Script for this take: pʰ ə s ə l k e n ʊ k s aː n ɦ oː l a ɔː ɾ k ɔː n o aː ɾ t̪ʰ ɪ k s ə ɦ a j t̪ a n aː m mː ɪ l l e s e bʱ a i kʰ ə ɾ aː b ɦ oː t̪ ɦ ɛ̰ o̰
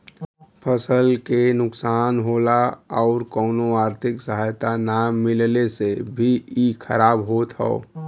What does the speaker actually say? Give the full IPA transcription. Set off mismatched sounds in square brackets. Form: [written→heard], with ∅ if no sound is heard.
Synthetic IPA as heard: pʰ ə s ə l k e n ʊ k s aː n ɦ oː l a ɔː ɾ k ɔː n o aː ɾ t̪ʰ ɪ k s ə ɦ a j t̪ a n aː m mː ɪ l l e s e bʱ [a→i] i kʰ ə ɾ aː b ɦ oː t̪ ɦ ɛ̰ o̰